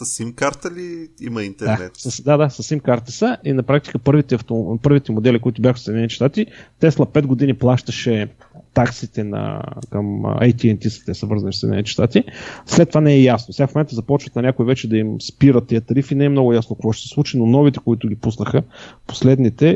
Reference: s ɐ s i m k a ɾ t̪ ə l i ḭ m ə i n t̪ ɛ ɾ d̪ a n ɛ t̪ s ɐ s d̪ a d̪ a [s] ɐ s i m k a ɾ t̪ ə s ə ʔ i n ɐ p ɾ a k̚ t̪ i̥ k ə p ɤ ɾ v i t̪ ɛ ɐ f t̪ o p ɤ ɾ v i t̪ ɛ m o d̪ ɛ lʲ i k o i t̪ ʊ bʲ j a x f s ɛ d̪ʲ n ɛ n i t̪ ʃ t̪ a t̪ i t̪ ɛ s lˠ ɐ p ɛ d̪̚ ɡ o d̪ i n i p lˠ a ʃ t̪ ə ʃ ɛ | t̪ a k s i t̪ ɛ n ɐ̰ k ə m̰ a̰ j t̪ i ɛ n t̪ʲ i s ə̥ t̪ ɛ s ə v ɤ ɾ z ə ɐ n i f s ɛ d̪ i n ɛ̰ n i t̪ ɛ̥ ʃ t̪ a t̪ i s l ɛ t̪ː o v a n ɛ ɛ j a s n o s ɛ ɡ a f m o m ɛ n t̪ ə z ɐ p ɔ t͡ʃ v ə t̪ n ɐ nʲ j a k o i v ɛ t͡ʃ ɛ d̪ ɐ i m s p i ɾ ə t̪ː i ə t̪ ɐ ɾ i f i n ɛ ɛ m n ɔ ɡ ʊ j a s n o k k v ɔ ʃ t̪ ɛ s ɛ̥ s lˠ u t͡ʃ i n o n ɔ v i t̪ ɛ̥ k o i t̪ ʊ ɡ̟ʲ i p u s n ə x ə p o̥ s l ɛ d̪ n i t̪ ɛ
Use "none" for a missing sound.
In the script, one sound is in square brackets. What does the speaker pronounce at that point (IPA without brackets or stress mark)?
s